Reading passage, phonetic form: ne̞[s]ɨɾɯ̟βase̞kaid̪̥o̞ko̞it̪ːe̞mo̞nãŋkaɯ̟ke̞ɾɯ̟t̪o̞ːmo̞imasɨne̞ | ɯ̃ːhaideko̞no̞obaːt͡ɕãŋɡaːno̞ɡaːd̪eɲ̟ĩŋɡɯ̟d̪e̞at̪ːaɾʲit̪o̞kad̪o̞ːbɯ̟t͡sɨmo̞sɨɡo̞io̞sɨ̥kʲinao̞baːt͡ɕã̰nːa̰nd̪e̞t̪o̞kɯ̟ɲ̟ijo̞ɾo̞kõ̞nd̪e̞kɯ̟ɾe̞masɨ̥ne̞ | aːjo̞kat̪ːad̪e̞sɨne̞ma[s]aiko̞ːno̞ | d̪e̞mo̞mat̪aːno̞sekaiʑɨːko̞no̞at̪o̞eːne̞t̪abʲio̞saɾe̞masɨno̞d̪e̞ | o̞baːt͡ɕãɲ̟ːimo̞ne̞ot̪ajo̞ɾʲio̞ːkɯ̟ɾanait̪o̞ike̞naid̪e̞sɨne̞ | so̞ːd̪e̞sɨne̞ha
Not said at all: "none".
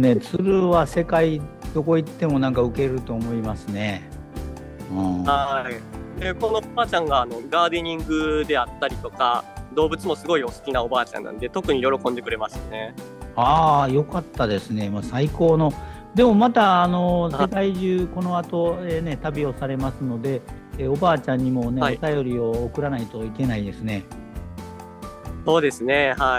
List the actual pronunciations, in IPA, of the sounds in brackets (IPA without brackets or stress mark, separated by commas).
t͡s, s